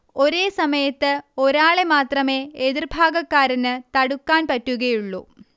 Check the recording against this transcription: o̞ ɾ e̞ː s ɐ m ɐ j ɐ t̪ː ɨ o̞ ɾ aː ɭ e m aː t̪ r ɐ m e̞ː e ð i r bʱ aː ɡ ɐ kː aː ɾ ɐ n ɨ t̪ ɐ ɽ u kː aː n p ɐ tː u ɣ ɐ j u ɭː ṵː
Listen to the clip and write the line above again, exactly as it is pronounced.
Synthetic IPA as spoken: o̞ ɾ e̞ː s ɐ m ɐ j ɐ t̪ː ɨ o̞ ɾ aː ɭ e m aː t̪ r ɐ m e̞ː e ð i r bʱ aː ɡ ɐ kː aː ɾ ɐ n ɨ t̪ ɐ ɽ u kː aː n p ɐ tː u ɣ ɐ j u ɭː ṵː